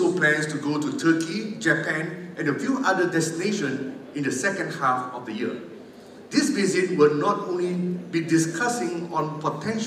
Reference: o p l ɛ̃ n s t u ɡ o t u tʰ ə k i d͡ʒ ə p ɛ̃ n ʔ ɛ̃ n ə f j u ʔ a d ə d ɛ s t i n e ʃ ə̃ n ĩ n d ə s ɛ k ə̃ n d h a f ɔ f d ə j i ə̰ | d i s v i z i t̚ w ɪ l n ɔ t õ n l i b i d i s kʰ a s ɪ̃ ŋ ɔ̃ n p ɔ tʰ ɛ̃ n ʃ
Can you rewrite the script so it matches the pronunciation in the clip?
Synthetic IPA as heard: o p l ɛ̃ n s t u ɡ o t u tʰ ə k i d͡ʒ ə p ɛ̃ n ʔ ɛ̃ n ə f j u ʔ a d ə d ɛ s t i n e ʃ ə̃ n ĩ n d ə s ɛ k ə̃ n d h a f ɔ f d ə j i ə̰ | d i s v i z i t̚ w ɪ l n ɔ t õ n l i b i d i s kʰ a s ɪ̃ ŋ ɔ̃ n p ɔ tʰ ɛ̃ n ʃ